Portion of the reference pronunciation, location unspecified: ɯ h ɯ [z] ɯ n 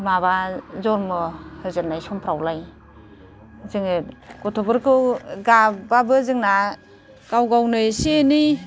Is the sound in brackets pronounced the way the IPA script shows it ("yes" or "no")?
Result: yes